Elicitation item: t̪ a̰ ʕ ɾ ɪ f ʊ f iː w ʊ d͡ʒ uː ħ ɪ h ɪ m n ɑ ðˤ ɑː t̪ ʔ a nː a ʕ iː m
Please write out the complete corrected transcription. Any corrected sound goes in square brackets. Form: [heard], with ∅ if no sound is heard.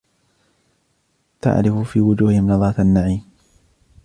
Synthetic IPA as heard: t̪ a̰ ʕ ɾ ɪ f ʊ f iː w ʊ d͡ʒ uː [h] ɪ h ɪ m n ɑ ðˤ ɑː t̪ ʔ a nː a ʕ iː m